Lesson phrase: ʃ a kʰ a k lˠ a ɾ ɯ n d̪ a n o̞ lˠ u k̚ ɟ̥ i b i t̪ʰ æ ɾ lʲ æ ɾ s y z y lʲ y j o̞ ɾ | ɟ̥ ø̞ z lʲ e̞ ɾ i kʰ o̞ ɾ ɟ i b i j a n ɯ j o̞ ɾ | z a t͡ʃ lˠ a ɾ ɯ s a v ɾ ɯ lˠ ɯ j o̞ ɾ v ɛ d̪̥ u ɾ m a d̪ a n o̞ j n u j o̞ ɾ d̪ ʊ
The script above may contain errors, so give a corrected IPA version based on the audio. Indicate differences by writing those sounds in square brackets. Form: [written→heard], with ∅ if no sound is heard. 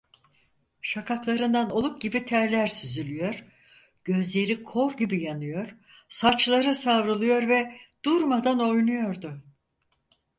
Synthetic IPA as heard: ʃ a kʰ a k lˠ a ɾ ɯ n d̪ a n o̞ lˠ u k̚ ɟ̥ i b i t̪ʰ æ ɾ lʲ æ ɾ s y z y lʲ y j o̞ ɾ | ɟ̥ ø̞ z lʲ e̞ ɾ i kʰ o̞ ɾ ɟ i b i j a n ɯ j o̞ ɾ | [z→s] a t͡ʃ lˠ a ɾ ɯ s a v ɾ ɯ lˠ ɯ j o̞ ɾ v ɛ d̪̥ u ɾ m a d̪ a n o̞ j n u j o̞ ɾ d̪ ʊ